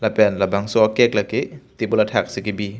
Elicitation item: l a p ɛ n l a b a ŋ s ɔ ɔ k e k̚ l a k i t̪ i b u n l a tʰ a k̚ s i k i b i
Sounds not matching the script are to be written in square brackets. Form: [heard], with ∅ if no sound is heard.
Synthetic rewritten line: l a p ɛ n l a b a ŋ s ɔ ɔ k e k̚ l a k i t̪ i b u [∅] l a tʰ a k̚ s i k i b i